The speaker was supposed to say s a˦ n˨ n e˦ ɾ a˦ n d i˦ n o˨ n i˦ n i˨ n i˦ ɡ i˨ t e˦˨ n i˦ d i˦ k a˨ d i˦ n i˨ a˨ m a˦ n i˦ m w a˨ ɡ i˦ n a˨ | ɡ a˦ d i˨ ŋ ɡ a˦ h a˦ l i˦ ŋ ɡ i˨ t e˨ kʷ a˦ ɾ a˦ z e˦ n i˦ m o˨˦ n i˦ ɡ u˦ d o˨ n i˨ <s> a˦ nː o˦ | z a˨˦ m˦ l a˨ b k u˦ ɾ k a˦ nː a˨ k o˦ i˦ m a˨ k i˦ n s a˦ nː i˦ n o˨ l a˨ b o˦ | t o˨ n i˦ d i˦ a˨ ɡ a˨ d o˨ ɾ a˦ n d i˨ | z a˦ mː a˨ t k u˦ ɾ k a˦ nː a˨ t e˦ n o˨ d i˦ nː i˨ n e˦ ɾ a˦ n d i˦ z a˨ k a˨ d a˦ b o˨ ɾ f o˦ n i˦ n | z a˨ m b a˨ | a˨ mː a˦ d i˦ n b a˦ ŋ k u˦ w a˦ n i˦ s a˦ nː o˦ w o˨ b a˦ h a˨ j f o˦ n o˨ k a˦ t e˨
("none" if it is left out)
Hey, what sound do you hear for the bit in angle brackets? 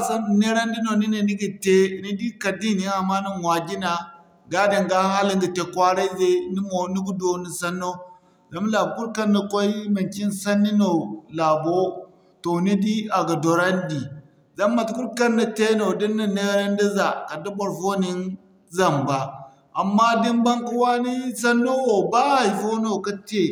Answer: s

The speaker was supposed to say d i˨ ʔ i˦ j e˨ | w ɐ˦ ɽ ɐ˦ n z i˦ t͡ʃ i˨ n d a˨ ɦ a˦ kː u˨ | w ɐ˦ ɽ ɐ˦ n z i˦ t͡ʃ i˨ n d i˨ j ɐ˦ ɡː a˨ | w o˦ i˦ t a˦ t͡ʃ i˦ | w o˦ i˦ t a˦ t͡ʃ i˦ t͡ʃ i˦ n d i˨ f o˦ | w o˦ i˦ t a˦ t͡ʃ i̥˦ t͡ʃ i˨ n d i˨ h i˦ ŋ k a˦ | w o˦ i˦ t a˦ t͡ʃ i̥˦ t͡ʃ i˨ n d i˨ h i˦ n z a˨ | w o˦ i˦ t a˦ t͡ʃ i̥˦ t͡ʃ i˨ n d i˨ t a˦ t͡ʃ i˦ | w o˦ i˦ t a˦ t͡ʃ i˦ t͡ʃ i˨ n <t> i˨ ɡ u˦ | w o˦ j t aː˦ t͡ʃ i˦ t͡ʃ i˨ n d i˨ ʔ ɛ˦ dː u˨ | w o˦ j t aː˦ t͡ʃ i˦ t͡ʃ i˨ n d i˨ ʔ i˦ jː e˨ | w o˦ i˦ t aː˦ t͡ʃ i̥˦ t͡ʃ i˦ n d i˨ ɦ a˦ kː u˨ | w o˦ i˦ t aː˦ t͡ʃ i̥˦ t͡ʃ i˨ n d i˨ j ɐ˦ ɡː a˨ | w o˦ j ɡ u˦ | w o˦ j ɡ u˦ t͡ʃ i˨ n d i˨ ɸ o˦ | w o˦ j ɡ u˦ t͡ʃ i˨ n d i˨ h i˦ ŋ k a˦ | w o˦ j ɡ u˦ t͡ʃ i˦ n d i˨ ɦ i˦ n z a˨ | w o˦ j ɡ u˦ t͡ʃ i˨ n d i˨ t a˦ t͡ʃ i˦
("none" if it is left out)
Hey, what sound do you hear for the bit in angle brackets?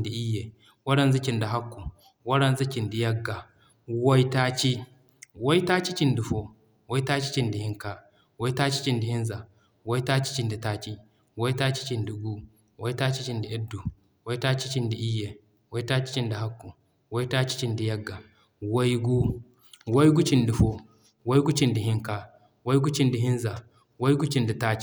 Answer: d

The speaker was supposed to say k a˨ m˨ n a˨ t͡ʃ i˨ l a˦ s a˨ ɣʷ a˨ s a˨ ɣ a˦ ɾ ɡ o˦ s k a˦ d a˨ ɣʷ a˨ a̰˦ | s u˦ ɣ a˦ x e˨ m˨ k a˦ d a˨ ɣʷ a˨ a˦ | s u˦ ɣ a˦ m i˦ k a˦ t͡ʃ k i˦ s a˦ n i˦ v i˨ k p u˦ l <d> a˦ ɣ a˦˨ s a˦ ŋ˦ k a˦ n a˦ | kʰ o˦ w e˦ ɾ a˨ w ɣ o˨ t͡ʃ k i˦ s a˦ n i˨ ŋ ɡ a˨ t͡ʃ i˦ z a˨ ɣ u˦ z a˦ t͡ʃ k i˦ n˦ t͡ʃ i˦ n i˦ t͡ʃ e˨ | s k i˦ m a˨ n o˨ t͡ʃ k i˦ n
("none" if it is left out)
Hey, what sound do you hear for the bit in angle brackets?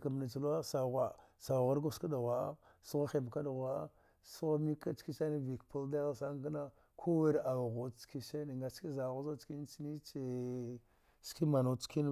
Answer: d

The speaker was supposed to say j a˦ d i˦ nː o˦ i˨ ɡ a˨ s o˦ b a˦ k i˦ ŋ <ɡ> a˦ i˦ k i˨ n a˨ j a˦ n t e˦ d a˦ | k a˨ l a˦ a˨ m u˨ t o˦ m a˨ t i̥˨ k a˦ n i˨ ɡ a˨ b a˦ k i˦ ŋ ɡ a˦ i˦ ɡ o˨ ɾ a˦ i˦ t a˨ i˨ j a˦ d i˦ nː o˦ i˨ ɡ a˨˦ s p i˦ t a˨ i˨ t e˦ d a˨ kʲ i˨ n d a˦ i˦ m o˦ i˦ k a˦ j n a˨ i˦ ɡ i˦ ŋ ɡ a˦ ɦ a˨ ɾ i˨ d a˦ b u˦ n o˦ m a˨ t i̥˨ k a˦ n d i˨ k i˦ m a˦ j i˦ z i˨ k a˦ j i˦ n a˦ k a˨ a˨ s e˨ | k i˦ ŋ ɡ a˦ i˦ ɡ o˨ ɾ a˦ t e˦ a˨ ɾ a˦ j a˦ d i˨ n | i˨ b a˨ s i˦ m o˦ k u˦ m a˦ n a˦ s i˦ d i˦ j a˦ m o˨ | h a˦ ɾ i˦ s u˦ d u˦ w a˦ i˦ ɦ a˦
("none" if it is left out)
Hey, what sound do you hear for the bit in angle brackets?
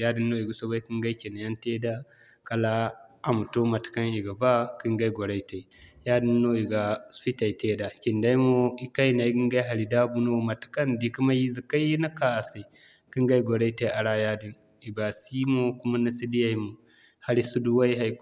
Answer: ɡ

